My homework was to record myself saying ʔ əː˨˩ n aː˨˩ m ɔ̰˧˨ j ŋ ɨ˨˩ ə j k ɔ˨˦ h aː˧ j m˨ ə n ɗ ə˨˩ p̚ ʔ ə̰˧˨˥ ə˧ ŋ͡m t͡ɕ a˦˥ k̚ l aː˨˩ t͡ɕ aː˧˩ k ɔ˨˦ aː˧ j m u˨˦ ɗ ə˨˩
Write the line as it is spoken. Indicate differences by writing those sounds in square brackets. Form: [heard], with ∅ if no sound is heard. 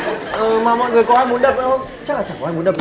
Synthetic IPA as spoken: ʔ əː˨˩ [m] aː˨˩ m ɔ̰˧˨ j ŋ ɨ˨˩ ə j k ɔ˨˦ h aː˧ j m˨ ə n ɗ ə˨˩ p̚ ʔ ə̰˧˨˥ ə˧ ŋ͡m t͡ɕ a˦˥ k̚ l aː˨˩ t͡ɕ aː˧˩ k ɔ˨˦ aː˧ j m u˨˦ ɗ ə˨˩